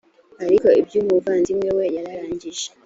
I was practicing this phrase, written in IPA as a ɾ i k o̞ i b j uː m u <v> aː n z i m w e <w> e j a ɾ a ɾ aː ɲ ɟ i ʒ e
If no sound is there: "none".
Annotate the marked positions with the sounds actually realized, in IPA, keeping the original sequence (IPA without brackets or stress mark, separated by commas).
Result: v, w